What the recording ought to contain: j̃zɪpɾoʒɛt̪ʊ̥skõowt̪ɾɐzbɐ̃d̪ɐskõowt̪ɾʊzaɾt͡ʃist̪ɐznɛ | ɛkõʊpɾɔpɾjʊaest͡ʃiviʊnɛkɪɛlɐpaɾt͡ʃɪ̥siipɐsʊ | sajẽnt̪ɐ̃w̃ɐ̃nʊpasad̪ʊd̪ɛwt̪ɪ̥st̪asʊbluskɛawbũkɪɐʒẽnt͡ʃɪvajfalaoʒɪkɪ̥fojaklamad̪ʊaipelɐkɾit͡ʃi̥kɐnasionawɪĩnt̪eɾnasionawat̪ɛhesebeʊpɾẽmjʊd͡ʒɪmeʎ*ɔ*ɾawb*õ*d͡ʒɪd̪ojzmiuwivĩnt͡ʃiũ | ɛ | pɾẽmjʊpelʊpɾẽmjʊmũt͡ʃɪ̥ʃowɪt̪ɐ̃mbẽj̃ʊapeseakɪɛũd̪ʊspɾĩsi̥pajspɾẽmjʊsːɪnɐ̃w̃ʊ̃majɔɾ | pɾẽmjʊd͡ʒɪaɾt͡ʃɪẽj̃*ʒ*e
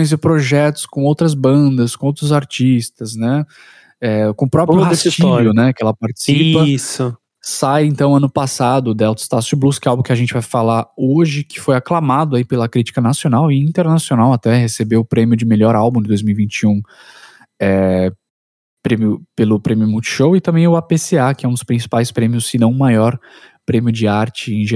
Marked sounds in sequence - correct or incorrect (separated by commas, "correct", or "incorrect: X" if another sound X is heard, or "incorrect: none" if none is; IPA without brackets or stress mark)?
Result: correct, incorrect: ũ, correct